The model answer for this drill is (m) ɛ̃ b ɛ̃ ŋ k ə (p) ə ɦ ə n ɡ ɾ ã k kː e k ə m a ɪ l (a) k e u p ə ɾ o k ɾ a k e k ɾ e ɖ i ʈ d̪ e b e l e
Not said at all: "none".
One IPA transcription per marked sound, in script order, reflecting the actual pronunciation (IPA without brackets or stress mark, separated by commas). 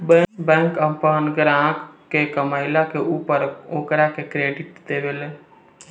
b, p, a